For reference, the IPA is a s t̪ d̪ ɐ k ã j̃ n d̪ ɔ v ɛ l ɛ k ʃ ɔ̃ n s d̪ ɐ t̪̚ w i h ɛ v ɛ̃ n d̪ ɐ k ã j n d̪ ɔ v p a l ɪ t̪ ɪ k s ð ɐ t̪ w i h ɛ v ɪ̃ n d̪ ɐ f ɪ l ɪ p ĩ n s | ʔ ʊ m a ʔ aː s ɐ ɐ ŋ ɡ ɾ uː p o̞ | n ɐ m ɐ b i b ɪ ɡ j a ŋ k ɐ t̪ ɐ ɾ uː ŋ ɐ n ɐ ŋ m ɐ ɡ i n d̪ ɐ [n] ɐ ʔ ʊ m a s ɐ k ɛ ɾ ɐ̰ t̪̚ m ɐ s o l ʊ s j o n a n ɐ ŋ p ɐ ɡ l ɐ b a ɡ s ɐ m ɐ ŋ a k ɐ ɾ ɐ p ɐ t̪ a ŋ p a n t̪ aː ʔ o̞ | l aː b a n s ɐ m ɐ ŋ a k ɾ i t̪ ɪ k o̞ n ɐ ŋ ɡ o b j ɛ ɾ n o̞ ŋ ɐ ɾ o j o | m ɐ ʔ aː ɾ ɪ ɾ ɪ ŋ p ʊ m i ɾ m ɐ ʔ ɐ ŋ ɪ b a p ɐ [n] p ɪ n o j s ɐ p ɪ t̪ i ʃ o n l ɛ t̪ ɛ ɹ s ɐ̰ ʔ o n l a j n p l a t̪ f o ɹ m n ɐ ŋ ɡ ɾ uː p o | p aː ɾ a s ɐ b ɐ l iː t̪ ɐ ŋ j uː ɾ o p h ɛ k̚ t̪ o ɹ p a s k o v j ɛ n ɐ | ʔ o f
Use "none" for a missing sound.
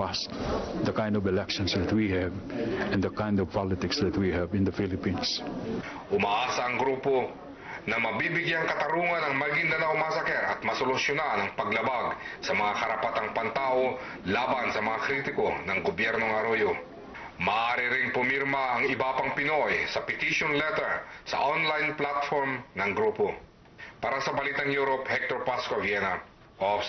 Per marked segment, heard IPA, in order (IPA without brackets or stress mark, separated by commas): n, ŋ